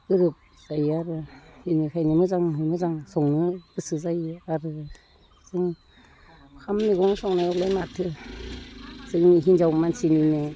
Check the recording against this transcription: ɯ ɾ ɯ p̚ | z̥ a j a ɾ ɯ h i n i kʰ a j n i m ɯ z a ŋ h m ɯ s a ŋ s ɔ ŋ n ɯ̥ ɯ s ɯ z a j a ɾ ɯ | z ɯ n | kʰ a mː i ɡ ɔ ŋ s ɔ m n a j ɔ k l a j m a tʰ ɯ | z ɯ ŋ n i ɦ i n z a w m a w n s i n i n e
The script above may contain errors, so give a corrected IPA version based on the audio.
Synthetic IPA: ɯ ɾ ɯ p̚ | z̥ a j a ɾ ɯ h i n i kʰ a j n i m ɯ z a ŋ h m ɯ z a ŋ s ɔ ŋ n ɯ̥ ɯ s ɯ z a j a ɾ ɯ | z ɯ ŋ | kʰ a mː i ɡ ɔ ŋ s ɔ ŋ n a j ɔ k l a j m a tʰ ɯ | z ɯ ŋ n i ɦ i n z a w m a n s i n i n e